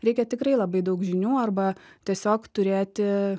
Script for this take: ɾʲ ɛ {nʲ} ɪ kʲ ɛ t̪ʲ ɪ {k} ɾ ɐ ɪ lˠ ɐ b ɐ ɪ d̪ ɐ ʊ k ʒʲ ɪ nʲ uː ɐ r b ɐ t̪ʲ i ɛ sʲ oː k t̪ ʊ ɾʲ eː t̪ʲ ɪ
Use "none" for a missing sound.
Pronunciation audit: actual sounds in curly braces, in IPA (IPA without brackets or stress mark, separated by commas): none, k